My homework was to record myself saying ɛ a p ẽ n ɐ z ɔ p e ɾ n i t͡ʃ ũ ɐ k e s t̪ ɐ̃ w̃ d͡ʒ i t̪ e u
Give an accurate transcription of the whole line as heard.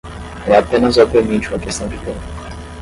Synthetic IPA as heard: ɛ a p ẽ n ɐ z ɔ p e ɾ m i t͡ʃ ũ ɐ k e s t̪ ɐ̃ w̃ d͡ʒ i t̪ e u